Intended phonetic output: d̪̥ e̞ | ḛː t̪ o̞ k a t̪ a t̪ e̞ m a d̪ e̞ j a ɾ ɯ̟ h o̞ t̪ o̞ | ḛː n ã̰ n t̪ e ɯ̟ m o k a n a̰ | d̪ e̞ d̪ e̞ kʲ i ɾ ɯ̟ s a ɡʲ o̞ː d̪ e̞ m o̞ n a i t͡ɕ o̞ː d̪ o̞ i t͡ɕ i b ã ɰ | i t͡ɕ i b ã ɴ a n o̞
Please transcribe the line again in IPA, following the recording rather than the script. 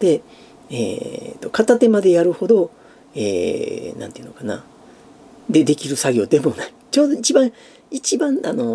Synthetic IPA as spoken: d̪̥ e̞ | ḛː t̪ o̞ k a t̪ a t̪ e̞ m a d̪ e̞ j a ɾ ɯ̟ h o̞ d̪ o̞ | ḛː n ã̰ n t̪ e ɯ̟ n o k a n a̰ | d̪ e̞ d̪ e̞ kʲ i ɾ ɯ̟ s a ɡʲ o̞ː d̪ e̞ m o̞ n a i t͡ɕ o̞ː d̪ o̞ i t͡ɕ i b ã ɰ | i t͡ɕ i b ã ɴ a n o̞